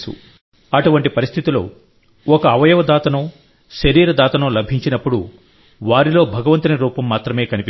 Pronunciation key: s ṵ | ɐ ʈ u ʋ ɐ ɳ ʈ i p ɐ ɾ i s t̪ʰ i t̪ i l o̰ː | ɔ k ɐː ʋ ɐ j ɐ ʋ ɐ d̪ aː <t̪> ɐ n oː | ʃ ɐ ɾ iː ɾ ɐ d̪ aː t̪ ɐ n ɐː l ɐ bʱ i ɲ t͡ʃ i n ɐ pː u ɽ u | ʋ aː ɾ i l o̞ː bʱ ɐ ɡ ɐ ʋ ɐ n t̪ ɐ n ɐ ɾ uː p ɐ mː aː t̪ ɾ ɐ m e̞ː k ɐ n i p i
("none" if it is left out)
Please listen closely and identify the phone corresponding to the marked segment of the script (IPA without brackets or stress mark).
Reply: t̪